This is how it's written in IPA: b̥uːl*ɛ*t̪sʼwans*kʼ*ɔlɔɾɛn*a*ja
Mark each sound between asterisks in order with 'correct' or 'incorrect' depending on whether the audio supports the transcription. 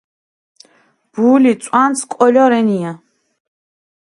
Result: incorrect: i, correct, incorrect: i

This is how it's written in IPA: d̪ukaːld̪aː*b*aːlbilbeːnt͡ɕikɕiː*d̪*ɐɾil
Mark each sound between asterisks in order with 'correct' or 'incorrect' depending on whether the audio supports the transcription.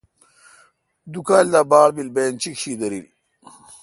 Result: correct, correct

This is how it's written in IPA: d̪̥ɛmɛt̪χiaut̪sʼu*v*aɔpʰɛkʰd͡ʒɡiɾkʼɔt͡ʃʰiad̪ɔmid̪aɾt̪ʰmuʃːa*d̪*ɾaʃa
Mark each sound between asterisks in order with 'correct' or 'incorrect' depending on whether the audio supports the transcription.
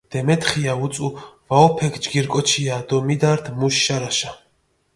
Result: correct, incorrect: none

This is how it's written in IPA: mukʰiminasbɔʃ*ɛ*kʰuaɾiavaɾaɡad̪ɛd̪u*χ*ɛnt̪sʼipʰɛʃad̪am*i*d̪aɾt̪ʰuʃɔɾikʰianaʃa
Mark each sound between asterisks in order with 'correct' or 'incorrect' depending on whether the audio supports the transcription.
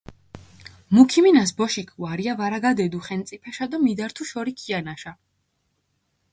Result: incorrect: i, correct, correct

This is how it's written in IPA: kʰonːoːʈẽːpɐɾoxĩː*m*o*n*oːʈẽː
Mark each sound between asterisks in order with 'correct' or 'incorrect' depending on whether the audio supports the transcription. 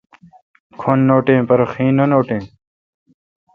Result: incorrect: n, correct

